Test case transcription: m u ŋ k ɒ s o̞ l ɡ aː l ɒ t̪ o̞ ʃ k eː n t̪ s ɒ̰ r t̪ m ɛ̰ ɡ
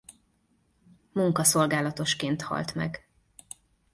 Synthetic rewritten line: m u ŋ k ɒ s o̞ l ɡ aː l ɒ t̪ o̞ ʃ k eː n t̪ h ɒ̰ l t̪ m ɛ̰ ɡ